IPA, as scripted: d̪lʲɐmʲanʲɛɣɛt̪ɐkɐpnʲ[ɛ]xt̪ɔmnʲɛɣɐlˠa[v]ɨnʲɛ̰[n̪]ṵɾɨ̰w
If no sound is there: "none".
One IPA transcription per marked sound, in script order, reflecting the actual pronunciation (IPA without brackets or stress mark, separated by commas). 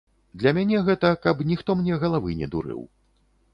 i, v, d̪